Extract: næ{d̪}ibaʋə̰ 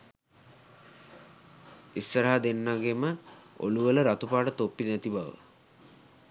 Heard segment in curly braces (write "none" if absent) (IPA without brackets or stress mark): t̪